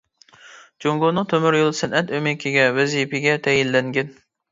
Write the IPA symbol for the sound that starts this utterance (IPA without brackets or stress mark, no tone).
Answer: d͡ʒ